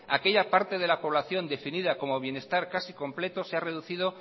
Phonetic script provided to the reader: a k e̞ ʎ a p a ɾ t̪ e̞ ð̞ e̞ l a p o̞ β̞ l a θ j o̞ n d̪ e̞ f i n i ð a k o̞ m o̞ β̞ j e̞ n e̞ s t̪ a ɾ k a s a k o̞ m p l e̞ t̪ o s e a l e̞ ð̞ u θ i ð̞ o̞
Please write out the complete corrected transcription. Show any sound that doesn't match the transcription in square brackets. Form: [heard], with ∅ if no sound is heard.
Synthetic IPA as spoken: a k e̞ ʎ a p a ɾ t̪ e̞ ð̞ e̞ l a p o̞ β̞ l a θ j o̞ n d̪ e̞ f i n i ð a k o̞ m o̞ β̞ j e̞ n e̞ s t̪ a ɾ k a s [i] k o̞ m p l e̞ t̪ o s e a [r] e̞ ð̞ u θ i ð̞ o̞